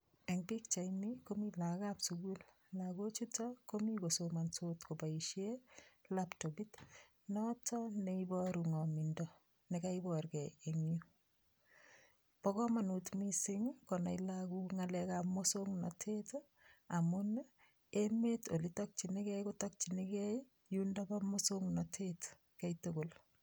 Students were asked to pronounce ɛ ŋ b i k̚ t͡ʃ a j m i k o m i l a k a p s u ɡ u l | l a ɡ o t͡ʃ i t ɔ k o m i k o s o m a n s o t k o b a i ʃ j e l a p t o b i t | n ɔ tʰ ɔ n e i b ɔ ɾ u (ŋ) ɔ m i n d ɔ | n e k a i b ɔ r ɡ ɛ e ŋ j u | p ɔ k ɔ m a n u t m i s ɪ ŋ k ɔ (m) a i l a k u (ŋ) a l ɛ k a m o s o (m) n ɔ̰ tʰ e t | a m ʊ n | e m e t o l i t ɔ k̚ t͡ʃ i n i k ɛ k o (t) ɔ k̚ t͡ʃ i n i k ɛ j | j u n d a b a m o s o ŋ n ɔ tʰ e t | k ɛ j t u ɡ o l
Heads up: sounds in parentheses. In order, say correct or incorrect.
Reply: correct, incorrect: n, correct, incorrect: ŋ, correct

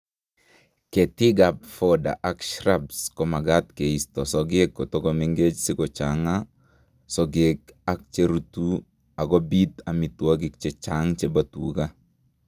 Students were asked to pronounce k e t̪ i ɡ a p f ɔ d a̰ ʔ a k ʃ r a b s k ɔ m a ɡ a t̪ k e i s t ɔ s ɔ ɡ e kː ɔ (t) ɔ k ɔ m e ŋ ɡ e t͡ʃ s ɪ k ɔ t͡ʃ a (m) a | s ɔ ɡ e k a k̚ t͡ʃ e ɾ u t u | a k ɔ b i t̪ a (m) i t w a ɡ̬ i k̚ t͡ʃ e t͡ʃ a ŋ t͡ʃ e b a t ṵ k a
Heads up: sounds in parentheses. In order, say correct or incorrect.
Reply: correct, incorrect: ŋ, correct

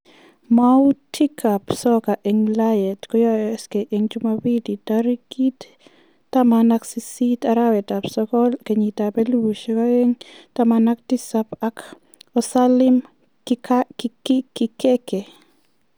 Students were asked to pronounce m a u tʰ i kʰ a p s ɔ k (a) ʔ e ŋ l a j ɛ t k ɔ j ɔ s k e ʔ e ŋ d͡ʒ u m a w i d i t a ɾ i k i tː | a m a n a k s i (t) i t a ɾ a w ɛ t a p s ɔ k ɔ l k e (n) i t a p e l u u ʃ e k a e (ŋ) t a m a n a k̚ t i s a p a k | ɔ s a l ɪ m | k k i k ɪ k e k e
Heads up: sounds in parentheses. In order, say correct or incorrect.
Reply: correct, incorrect: s, incorrect: ɲ, correct

